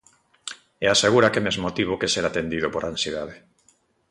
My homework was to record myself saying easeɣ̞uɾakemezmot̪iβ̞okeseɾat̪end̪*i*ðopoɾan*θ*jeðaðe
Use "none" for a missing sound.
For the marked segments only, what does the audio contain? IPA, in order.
i, s

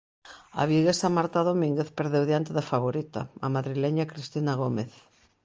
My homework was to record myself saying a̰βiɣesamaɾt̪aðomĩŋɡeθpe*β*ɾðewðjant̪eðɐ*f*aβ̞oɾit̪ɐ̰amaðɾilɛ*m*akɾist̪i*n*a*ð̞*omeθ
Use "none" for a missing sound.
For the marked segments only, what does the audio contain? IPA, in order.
none, f, ɲ, n, ɣ̞

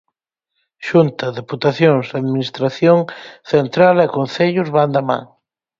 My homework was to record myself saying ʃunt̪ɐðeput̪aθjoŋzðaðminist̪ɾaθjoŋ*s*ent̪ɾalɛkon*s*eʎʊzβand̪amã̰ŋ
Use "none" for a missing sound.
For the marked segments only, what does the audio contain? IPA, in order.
θ, θ

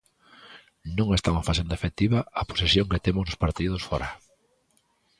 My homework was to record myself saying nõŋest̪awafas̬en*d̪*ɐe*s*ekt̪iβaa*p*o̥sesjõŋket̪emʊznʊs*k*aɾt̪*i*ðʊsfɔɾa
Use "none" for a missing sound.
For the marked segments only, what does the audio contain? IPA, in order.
d̪, f, p, p, i

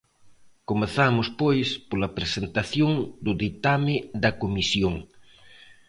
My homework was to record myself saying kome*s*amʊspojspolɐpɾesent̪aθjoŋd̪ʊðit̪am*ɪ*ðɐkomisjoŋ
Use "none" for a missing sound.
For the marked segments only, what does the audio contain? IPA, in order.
θ, ɪ

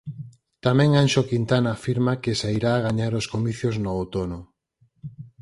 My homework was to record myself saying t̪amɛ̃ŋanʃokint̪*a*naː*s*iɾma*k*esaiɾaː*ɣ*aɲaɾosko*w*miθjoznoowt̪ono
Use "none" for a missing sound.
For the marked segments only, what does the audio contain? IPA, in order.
a, f, k, ɣ, none

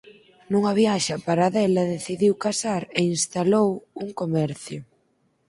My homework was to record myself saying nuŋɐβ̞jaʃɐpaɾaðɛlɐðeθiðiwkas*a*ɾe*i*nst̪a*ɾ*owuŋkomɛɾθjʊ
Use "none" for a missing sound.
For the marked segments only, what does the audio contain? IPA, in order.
a, i, l

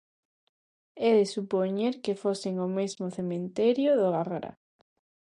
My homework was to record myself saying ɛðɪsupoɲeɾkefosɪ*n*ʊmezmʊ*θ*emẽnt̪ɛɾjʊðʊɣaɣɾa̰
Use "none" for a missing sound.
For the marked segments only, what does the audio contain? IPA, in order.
ŋ, θ

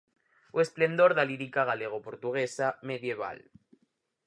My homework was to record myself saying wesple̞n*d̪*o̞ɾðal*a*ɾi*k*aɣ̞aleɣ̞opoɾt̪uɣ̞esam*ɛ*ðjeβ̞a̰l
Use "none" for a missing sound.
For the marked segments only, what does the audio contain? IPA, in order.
d̪, i, k, e

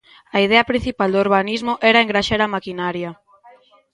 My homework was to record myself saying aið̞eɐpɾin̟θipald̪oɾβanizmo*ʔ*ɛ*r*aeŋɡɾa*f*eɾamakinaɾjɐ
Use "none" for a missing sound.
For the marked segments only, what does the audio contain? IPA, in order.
ʔ, ɾ, ʃ

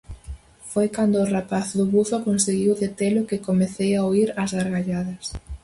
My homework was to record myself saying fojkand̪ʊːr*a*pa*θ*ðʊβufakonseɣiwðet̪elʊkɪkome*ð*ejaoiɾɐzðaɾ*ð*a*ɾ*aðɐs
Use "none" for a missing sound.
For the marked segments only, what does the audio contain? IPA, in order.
a, θ, θ, ɣ, ʎ

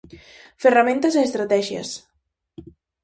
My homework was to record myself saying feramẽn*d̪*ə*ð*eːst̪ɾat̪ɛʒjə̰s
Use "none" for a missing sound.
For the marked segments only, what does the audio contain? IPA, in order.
t̪, z

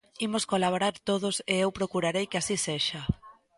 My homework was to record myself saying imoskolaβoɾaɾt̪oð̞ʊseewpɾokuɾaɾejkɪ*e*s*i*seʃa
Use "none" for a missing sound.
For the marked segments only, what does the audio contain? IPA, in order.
a, i

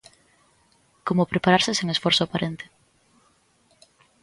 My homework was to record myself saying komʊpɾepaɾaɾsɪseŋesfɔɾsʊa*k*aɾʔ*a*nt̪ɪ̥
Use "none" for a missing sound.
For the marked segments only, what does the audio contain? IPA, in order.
p, e

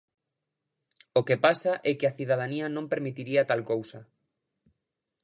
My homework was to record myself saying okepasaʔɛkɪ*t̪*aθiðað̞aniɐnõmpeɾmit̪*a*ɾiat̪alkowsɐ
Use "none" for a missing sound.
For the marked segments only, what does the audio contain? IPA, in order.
none, i

